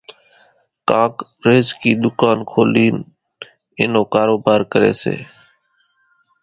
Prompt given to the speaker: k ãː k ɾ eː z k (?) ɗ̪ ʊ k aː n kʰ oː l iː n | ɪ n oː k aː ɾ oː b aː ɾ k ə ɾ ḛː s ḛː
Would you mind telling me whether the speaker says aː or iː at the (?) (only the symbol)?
iː